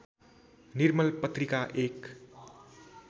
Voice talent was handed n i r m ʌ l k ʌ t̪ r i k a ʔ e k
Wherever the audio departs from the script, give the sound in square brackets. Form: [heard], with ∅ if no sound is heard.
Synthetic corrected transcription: n i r m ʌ l [p] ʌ t̪ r i k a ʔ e k